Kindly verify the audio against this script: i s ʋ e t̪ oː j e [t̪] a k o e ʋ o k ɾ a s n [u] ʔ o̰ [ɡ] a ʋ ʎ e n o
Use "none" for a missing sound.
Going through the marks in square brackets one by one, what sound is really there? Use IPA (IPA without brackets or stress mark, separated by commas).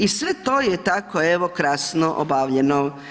t̪, o, b